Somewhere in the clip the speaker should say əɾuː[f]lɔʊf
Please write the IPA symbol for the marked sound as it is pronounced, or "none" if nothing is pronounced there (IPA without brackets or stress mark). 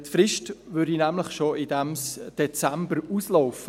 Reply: s